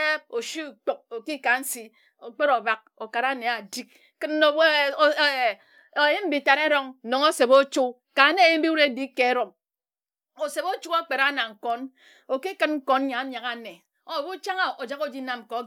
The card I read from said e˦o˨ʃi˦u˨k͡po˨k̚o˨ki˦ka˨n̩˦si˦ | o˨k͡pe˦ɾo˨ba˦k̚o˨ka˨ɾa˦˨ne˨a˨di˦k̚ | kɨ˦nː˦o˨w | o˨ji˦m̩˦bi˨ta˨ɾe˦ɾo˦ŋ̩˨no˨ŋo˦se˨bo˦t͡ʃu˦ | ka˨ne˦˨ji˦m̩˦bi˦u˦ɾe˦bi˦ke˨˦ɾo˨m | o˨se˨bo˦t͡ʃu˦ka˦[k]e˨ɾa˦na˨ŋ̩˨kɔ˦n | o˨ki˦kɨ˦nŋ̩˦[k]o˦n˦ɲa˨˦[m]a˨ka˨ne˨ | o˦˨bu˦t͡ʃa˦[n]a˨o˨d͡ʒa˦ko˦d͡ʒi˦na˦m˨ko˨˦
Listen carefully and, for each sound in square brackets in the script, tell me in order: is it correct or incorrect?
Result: incorrect, correct, incorrect, incorrect

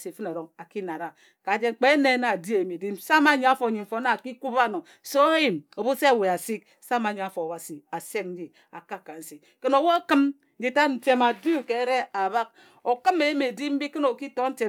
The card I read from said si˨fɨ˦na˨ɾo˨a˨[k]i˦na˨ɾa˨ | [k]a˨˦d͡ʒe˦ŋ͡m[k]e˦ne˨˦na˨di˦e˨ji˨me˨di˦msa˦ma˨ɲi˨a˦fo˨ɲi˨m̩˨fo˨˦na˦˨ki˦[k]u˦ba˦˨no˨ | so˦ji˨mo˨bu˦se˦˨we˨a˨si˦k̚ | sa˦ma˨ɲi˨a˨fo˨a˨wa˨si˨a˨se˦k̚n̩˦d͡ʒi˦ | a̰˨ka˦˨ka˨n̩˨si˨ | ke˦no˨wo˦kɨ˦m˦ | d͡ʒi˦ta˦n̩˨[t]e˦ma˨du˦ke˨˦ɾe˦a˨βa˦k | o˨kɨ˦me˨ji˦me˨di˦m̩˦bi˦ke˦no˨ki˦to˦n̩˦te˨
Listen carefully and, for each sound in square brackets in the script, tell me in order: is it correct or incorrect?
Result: correct, correct, incorrect, correct, correct

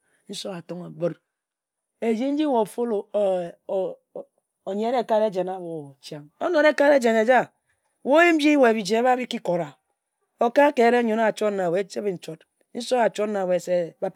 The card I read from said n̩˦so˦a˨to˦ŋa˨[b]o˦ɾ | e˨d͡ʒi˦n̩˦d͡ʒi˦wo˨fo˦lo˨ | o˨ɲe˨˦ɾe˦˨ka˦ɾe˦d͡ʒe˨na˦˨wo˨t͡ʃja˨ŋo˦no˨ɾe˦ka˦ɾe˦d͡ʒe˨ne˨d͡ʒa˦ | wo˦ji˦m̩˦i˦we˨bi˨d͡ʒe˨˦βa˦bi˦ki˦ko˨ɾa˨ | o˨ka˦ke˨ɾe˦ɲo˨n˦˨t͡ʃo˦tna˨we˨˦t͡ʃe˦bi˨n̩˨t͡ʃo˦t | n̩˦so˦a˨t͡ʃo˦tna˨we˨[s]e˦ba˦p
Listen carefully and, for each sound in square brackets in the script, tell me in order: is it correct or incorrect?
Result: correct, correct

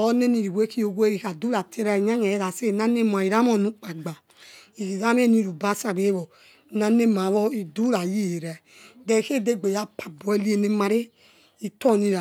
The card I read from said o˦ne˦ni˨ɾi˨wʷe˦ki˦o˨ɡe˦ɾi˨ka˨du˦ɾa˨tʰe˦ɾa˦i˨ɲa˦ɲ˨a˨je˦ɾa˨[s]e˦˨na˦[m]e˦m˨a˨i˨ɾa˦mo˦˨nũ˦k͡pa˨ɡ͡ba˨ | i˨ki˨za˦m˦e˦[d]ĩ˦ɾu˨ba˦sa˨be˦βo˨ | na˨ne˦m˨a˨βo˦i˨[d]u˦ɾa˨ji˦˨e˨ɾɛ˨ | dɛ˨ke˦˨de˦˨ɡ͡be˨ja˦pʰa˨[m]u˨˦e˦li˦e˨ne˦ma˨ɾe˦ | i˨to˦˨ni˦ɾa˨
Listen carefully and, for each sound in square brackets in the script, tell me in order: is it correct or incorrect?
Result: correct, incorrect, incorrect, correct, incorrect

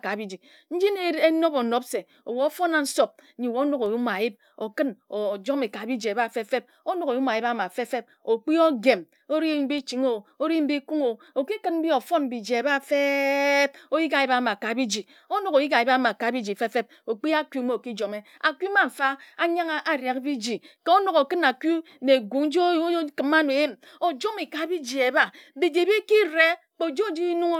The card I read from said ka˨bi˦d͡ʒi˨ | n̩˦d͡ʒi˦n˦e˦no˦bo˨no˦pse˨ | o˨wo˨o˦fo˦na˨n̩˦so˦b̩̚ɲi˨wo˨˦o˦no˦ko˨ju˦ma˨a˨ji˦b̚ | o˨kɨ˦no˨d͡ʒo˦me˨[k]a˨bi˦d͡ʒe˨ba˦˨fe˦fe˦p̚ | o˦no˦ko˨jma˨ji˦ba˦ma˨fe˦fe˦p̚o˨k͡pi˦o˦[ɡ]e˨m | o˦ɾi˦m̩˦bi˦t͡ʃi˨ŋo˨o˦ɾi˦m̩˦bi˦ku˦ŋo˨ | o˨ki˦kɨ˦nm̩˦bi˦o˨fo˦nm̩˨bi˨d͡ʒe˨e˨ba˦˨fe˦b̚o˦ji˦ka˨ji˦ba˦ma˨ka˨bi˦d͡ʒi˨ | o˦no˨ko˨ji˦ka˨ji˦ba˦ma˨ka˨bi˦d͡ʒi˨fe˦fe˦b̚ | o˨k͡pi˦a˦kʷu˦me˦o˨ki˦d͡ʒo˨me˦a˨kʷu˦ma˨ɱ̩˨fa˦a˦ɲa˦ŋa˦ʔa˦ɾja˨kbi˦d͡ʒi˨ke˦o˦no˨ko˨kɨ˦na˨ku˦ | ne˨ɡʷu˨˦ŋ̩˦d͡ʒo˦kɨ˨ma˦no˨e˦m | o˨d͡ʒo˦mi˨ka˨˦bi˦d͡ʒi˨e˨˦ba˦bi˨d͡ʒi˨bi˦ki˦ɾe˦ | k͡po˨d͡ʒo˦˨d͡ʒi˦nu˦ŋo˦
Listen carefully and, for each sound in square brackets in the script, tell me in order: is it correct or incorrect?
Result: correct, correct

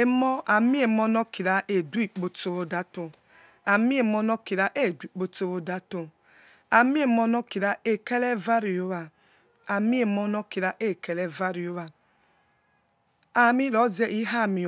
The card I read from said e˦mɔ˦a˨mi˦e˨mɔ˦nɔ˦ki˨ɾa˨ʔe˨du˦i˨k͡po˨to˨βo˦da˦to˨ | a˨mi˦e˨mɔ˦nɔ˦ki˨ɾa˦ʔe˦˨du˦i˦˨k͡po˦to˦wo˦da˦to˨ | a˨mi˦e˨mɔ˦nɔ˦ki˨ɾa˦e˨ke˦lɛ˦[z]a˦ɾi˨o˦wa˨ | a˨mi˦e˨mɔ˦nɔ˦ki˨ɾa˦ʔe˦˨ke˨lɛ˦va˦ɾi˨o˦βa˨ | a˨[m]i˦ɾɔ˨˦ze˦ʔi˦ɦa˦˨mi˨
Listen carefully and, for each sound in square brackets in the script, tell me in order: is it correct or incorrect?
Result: incorrect, correct

